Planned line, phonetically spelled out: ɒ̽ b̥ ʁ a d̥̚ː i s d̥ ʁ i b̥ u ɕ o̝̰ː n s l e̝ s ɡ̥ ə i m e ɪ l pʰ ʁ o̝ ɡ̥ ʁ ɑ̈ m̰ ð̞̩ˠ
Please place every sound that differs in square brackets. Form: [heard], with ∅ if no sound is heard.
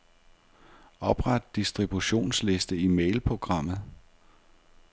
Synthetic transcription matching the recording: ɒ̽ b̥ ʁ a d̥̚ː i s d̥ ʁ i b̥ u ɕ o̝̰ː n s l e̝ s [d̥] ə i m e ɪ l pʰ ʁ o̝ ɡ̥ ʁ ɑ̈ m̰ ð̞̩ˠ

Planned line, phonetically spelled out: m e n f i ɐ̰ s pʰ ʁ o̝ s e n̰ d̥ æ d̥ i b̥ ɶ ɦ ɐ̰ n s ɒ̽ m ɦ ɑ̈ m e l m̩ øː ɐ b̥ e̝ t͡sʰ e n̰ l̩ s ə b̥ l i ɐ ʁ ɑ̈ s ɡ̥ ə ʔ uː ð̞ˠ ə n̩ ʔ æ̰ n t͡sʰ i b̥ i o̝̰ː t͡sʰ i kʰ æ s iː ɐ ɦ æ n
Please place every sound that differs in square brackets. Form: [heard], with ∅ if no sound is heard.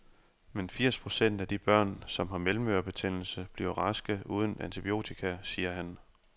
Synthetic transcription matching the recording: m e n f i ɐ̰ s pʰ ʁ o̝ s e n̰ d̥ æ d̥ i b̥ ɶ [∅] ɐ̰ n s ɒ̽ m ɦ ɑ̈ m e l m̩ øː ɐ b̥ e̝ t͡sʰ e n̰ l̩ s ə b̥ l i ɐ ʁ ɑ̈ s ɡ̥ ə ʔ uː ð̞ˠ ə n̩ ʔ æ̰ n t͡sʰ i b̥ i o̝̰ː t͡sʰ i kʰ æ s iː ɐ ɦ æ n

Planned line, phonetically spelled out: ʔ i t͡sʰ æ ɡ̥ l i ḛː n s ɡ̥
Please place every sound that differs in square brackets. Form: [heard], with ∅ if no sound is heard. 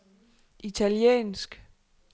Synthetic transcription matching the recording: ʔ i t͡sʰ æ [∅] l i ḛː n s ɡ̥

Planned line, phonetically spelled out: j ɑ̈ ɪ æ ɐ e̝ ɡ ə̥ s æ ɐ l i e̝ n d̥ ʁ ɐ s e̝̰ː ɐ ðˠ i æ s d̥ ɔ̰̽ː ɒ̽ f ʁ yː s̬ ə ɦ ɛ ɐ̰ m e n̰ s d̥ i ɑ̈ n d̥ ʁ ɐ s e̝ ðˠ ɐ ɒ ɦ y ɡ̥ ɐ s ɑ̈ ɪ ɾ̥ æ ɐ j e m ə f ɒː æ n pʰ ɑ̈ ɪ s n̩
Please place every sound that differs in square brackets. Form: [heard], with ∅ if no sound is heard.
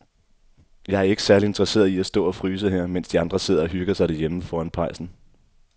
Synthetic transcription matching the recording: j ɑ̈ ɪ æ ɐ e̝ ɡ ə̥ s æ ɐ l i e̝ n d̥ ʁ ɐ s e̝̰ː ɐ ðˠ i æ s d̥ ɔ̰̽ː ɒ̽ f ʁ yː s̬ ə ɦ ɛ ɐ̰ m e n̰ s d̥ i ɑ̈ n d̥ ʁ ɐ s e̝ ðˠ ɐ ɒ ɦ y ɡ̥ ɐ s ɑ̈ ɪ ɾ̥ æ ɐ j e m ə f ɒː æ n pʰ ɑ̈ ɪ s n̩

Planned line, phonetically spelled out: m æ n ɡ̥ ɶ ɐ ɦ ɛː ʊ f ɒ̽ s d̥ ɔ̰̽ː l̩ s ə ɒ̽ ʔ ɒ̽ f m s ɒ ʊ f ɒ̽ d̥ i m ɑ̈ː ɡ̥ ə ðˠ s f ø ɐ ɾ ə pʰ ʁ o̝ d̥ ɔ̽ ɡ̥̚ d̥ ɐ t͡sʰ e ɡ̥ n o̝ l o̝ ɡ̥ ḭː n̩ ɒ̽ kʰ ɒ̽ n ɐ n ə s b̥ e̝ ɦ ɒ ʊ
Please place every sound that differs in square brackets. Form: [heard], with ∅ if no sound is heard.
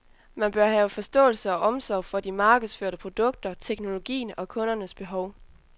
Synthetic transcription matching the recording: m æ n [b̥] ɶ ɐ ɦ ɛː ʊ f ɒ̽ s d̥ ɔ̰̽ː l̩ s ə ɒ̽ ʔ ɒ̽ [∅] m s ɒ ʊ f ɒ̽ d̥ i m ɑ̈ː ɡ̥ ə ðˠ s f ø ɐ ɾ ə pʰ ʁ o̝ d̥ ɔ̽ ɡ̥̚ d̥ ɐ t͡sʰ e ɡ̥ n o̝ l o̝ ɡ̥ ḭː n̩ ɒ̽ kʰ [ɔ̽] n ɐ n ə s b̥ e̝ ɦ ɒ ʊ

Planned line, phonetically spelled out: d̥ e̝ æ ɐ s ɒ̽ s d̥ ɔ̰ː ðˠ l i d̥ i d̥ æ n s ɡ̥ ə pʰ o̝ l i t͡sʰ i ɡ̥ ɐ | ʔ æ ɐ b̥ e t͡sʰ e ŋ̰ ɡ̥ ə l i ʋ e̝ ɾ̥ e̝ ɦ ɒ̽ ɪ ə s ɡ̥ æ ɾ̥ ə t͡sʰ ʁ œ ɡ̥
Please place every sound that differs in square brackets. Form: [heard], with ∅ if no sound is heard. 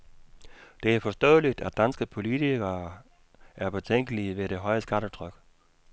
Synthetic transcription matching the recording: d̥ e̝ æ ɐ [f] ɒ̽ s d̥ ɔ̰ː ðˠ l i d̥ [æ] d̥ æ n s ɡ̥ ə pʰ o̝ l i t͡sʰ i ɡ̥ ɐ | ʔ æ ɐ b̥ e t͡sʰ e ŋ̰ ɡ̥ ə l i ʋ e̝ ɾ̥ e̝ ɦ ɒ̽ ɪ ə s ɡ̥ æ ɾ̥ ə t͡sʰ ʁ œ ɡ̥

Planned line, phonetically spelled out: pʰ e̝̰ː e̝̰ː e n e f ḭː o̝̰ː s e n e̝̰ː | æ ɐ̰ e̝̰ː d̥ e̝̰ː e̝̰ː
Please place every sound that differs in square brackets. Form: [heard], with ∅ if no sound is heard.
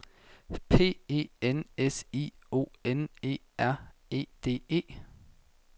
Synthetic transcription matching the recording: pʰ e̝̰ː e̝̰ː e n e [s] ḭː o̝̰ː [∅] e n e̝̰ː | æ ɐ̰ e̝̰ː d̥ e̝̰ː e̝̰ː

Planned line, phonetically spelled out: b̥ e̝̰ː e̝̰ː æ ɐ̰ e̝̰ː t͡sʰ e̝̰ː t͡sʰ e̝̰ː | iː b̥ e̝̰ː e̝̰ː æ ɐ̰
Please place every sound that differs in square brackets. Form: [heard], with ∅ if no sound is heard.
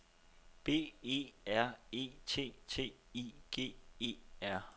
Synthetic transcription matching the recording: b̥ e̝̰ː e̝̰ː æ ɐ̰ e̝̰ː t͡sʰ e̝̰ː t͡sʰ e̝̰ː | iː [ɡ̥] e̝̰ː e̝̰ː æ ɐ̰

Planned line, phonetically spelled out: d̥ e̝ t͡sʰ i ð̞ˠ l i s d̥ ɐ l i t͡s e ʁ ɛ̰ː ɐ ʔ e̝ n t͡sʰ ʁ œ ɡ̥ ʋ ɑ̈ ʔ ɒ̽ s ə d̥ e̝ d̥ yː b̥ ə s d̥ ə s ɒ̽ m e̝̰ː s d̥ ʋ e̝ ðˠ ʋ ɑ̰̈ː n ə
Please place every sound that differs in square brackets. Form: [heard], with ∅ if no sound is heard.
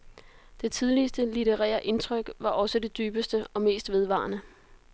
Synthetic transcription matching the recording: d̥ e̝ t͡sʰ i ð̞ˠ l i s d̥ [ə] l i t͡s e ʁ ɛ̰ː ɐ ʔ e̝ n t͡sʰ ʁ œ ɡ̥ ʋ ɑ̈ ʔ ɒ̽ s ə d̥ e̝ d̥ yː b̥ ə s d̥ ə [∅] ɒ̽ m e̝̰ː s d̥ ʋ e̝ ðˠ ʋ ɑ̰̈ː n ə

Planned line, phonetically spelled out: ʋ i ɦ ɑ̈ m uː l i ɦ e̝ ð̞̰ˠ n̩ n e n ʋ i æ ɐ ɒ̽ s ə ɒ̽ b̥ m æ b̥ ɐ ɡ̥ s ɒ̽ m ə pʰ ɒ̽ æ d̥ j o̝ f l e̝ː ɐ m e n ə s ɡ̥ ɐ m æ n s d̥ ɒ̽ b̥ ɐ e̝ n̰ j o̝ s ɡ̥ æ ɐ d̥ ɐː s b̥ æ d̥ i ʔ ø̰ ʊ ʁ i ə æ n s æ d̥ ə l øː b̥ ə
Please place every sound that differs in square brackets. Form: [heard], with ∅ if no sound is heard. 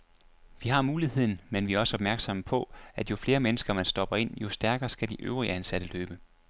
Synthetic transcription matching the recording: ʋ i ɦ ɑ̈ m uː l i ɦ e̝ ð̞̰ˠ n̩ [m] e n ʋ i æ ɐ ɒ̽ s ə ɒ̽ b̥ m æ [∅] ɐ ɡ̥ s ɒ̽ m ə pʰ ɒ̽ æ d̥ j o̝ f l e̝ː ɐ m e n ə s ɡ̥ ɐ m æ n s d̥ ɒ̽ b̥ ɐ e̝ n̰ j o̝ s [d̥] æ ɐ [ɡ̥] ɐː s [ɡ̥] æ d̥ i ʔ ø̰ ʊ ʁ i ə æ n s æ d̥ ə l øː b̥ ə

